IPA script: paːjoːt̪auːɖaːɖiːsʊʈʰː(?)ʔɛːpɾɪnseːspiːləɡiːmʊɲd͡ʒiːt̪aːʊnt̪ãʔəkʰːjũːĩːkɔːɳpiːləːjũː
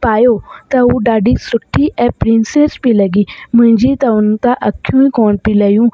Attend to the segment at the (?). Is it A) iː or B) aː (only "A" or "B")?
A